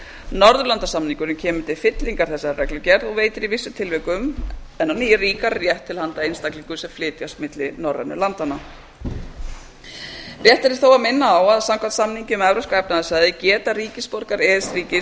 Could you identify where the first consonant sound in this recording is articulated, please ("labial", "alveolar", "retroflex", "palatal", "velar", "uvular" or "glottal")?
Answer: alveolar